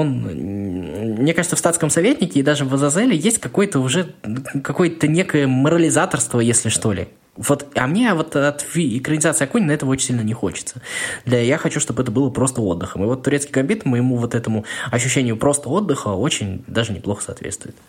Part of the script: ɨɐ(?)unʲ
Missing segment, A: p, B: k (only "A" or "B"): B